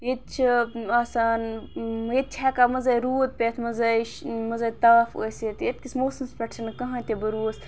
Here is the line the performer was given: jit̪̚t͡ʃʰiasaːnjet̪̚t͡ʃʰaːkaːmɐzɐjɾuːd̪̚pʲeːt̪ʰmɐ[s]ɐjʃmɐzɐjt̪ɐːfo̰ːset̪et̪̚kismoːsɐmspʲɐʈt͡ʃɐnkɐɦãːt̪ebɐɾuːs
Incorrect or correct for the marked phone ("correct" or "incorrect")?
incorrect